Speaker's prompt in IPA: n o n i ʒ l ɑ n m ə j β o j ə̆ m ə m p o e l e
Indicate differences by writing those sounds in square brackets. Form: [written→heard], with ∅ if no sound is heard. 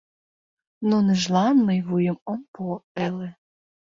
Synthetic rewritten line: n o n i ʒ l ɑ n m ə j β [o→u] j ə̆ m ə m p o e l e

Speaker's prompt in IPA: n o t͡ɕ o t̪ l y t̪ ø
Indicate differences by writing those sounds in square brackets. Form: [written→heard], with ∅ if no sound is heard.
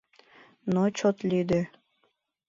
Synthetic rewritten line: n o t͡ɕ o t̪ l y [t̪→d̪] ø

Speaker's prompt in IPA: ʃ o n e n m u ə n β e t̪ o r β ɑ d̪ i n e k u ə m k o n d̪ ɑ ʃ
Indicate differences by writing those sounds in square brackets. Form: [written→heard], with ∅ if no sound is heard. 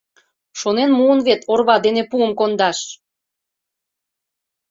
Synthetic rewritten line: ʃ o n e n m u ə n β e t̪ o r β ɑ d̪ [i→e] n e [k→p] u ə m k o n d̪ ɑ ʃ

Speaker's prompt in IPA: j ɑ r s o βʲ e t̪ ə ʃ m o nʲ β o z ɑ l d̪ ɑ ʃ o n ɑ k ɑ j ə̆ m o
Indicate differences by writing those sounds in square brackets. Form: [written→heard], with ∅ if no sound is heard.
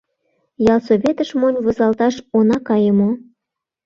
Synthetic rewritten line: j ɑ [r→l] s o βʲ e t̪ ə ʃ m o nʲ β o z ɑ l [d̪→t̪] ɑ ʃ o n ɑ k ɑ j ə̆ m o

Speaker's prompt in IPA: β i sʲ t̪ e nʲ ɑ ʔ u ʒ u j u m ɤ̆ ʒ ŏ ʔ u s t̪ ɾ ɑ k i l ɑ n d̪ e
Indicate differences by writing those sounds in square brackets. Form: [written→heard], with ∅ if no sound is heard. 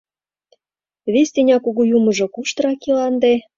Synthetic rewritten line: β [i→e] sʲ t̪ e nʲ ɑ [ʔ→k] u [ʒ→ɣ] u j u m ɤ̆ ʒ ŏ [ʔ→k] u [s→ʃ] t̪ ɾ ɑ k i l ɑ n d̪ e

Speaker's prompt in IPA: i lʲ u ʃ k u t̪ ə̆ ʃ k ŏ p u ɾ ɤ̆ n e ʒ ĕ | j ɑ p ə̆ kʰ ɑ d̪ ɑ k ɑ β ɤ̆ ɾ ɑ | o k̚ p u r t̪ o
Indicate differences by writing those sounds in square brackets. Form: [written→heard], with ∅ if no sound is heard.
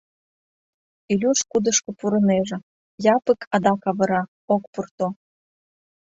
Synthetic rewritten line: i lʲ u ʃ k u [t̪→d̪] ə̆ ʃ k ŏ p u ɾ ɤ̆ n e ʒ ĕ | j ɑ p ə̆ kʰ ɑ d̪ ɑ k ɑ β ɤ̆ ɾ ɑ | o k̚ p u r t̪ o

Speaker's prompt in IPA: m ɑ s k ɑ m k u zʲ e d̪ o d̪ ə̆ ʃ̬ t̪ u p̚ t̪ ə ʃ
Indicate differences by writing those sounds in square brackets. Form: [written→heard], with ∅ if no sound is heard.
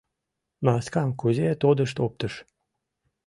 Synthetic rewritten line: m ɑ s k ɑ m k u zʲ e [d̪→t̪] o d̪ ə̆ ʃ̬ t̪ [u→o] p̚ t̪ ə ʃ

